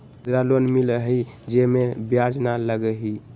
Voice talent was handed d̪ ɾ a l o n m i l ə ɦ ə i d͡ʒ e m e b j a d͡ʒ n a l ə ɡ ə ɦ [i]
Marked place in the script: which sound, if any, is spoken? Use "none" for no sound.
i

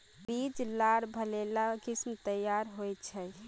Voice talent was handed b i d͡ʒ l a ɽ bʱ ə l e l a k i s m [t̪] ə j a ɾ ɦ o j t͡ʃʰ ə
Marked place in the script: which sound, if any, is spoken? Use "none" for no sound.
t̪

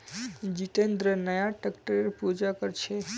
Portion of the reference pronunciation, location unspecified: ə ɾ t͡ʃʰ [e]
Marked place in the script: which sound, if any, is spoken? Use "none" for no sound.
e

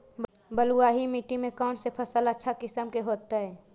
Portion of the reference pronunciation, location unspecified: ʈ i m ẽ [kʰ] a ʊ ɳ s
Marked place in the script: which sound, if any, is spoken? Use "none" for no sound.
k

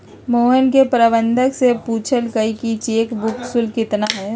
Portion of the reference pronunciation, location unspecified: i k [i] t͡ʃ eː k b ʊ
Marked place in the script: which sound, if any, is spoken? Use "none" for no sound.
i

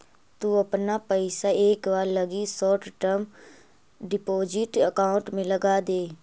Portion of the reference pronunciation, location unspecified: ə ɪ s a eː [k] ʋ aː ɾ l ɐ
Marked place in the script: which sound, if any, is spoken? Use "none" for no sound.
k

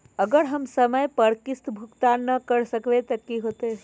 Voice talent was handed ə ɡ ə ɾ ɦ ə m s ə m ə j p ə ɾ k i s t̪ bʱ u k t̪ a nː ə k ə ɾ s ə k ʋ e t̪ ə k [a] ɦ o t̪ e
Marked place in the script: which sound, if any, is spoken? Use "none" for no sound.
i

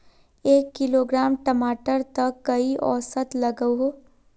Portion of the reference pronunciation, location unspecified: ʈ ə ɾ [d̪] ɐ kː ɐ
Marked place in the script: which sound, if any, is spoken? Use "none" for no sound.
t̪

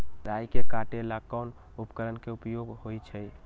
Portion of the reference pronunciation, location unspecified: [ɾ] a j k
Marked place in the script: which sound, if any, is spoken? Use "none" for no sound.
ɾ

